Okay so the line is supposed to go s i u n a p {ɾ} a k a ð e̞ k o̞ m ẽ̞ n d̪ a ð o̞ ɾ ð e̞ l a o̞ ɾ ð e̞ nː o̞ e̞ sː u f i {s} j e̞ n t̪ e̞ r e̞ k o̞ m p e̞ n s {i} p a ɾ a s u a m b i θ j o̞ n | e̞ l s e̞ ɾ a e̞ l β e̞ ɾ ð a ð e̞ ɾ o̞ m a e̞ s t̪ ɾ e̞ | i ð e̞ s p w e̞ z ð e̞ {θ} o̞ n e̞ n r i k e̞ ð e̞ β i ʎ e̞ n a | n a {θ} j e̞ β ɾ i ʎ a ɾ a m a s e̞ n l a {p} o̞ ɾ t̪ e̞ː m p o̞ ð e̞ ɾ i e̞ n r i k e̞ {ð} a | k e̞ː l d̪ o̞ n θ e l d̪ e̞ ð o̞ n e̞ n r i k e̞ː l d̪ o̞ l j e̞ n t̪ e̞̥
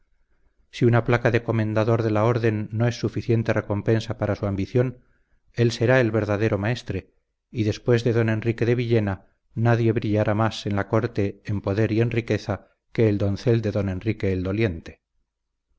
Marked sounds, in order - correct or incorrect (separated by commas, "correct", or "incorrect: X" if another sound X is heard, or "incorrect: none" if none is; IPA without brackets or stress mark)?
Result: incorrect: l, incorrect: θ, incorrect: a, incorrect: ð, incorrect: ð, incorrect: k, incorrect: θ